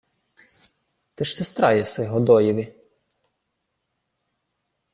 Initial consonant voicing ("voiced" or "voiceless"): voiceless